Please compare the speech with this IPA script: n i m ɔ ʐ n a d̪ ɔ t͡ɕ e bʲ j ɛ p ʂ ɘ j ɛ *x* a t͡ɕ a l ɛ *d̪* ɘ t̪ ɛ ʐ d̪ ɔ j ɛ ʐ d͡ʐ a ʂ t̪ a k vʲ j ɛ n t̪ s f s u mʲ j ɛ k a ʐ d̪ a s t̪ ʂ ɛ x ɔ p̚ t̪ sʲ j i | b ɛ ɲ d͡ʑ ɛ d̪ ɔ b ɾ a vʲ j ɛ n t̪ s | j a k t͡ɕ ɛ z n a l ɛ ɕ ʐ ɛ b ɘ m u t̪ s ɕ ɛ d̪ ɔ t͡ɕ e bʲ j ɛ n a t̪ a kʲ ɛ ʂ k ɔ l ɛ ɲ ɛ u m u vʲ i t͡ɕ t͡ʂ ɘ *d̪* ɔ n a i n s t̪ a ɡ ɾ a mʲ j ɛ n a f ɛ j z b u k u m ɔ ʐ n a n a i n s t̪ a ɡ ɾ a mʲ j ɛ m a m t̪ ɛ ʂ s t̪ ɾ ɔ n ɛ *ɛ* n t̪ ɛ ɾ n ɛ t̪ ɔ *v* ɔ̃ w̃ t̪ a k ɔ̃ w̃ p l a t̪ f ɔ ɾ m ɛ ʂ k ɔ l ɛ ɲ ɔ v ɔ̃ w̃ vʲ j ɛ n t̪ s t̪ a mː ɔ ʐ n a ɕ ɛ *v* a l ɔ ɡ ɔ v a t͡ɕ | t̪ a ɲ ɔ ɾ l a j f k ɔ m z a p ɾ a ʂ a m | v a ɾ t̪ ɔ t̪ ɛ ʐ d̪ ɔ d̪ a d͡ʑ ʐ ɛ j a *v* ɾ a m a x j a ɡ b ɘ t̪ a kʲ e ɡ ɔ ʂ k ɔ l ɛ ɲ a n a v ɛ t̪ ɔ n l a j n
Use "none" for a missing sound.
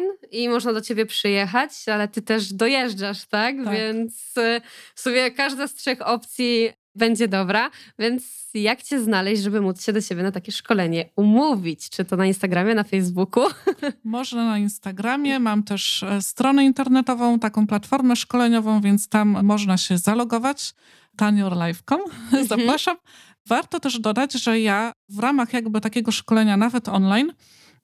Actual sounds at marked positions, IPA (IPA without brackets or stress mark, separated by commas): x, t̪, t̪, i, v, z, v